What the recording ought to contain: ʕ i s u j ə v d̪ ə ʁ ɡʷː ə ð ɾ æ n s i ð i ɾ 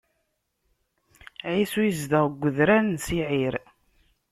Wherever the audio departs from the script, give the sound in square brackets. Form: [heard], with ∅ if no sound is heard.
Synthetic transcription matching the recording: ʕ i s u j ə [z] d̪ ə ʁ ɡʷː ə ð ɾ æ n s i [ʕ] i ɾ